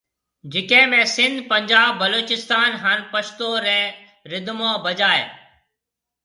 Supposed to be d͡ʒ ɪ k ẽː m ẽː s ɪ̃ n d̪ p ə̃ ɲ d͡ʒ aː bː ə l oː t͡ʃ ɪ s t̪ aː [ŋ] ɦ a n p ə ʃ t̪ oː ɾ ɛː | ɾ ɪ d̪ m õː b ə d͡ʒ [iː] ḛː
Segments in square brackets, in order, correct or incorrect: incorrect: n, incorrect: aː

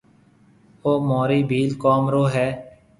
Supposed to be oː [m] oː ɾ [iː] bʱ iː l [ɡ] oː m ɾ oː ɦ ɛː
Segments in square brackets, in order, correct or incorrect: correct, correct, incorrect: k

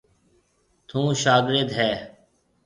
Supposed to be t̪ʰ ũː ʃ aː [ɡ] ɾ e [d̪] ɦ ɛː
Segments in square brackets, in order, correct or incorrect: correct, correct

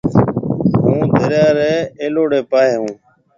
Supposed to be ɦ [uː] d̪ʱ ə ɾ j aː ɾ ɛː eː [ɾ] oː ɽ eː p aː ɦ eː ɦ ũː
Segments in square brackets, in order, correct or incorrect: incorrect: ũː, incorrect: l

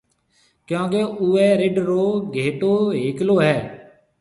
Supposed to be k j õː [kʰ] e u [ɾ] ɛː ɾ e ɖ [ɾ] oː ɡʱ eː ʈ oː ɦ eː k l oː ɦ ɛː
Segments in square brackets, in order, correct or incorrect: incorrect: k, incorrect: none, correct

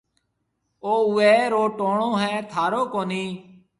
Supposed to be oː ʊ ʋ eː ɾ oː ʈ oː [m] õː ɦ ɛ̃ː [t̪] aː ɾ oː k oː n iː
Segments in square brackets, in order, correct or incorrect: incorrect: ɳ, incorrect: t̪ʰ

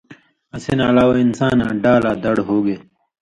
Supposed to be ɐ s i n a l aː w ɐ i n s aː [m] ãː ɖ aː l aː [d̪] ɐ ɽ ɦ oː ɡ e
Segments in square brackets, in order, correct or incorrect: incorrect: n, correct

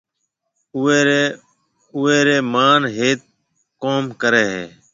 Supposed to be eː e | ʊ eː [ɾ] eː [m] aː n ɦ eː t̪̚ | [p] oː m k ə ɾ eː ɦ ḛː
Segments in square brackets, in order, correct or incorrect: correct, correct, incorrect: k

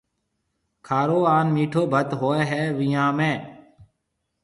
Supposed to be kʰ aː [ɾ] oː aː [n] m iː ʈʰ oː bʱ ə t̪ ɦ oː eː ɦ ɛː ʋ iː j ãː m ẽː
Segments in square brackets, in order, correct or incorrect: correct, correct

